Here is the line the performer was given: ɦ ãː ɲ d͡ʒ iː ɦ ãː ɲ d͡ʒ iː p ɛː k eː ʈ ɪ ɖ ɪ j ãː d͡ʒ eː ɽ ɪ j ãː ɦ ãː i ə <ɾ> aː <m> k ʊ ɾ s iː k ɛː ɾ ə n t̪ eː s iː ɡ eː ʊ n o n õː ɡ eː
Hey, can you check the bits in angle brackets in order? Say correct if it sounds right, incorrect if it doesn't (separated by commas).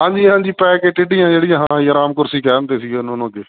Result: correct, correct